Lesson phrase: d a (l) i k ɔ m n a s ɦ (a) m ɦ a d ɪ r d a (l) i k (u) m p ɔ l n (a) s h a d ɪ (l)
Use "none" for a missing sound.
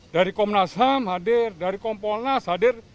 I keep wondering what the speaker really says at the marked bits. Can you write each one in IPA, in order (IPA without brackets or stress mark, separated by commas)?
ɾ, a, ɾ, ɔ, a, r